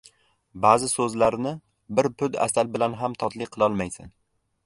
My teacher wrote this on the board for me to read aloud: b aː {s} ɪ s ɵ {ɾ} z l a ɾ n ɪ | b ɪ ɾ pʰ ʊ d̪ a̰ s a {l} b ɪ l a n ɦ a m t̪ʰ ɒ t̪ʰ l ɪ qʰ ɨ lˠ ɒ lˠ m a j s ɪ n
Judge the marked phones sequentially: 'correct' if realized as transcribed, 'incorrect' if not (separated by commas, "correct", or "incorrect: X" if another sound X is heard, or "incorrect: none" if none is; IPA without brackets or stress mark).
incorrect: z, incorrect: none, correct